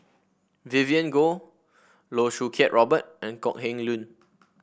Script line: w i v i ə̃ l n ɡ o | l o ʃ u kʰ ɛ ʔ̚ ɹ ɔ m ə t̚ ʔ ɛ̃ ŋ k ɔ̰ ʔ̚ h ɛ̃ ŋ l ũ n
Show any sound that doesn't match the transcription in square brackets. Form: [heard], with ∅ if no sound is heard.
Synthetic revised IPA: [v] i v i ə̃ [∅] n ɡ o | l o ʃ u kʰ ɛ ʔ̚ ɹ ɔ [b] ə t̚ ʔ ɛ̃ [n] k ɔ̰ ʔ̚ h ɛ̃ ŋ l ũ n